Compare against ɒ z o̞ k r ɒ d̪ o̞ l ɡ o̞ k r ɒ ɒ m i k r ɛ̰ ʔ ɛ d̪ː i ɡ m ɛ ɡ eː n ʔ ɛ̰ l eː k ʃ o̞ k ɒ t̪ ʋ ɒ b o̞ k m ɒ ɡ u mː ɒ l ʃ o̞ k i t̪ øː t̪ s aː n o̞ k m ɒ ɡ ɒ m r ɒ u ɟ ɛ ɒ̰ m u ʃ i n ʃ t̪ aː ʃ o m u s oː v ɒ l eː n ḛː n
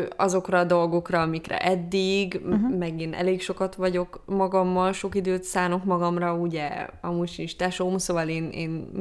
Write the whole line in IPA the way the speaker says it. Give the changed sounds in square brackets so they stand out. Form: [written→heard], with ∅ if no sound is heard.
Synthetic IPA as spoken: ɒ z o̞ k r ɒ d̪ o̞ l ɡ o̞ k r ɒ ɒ m i k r ɛ̰ ʔ ɛ d̪ː i ɡ m ɛ ɡ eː n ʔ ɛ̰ l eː k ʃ o̞ k ɒ t̪ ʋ ɒ [b→ɟ] o̞ k m ɒ ɡ [u→ɒ] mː ɒ l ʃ o̞ k i [t̪→d̪] øː t̪ s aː n o̞ k m ɒ ɡ ɒ m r ɒ u ɟ ɛ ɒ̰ m u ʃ i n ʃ t̪ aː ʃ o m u s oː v ɒ l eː n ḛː n